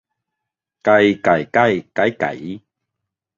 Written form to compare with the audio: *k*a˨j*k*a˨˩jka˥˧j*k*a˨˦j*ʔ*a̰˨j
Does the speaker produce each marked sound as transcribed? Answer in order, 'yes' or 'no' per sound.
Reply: yes, yes, yes, no

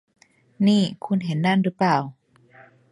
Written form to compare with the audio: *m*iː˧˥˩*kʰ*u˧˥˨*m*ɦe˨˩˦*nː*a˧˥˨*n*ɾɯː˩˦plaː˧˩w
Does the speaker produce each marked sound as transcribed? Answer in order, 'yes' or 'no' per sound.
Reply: no, yes, no, yes, yes

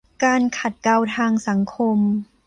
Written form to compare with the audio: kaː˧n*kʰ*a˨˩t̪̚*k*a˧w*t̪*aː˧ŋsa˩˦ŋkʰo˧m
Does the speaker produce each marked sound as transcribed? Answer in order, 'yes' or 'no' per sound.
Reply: yes, yes, no

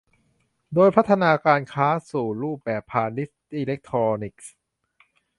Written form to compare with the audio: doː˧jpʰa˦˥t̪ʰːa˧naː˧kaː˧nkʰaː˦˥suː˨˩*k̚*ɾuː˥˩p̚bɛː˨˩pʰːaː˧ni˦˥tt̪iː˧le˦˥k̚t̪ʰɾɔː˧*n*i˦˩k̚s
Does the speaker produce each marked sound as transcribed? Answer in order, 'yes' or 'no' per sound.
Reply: no, yes

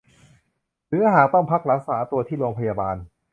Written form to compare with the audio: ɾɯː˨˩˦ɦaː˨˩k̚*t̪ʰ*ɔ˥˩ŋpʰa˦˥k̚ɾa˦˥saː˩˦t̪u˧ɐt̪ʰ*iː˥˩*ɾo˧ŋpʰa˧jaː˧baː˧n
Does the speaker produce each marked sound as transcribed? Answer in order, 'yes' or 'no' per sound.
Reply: no, yes

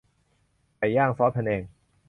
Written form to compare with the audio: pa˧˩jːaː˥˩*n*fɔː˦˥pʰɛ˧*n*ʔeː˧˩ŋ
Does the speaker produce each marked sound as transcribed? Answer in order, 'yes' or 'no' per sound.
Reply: no, yes

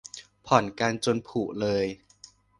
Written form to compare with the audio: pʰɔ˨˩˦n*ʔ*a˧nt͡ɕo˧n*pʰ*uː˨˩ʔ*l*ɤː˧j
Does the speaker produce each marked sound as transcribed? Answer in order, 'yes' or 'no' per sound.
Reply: no, yes, yes

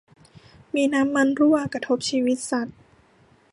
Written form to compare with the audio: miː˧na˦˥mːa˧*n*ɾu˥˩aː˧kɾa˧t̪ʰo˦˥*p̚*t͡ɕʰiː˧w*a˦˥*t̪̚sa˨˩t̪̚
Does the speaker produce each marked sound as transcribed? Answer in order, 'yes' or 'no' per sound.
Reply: yes, yes, no

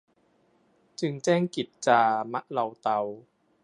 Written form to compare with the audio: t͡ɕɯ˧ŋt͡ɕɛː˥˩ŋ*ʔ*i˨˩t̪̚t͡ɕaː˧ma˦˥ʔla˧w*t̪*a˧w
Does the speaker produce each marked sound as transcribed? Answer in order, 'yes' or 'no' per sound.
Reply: no, yes

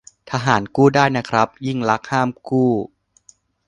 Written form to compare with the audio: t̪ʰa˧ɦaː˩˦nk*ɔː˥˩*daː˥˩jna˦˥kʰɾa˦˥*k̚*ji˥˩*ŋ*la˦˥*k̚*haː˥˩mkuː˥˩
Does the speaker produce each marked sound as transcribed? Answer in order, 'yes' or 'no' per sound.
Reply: no, no, yes, yes

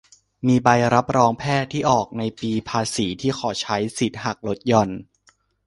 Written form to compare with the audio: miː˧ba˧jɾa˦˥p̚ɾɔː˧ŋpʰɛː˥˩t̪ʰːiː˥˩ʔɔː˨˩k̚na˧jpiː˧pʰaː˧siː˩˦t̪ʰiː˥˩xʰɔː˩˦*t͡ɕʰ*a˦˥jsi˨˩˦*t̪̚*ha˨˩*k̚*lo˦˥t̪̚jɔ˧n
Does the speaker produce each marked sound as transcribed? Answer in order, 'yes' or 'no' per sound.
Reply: yes, yes, yes

